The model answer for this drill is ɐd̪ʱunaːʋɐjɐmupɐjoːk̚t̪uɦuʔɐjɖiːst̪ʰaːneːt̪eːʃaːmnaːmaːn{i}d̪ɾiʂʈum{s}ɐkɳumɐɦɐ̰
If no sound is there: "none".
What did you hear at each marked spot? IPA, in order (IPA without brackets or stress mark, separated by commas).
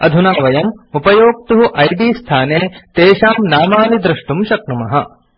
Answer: i, ʃ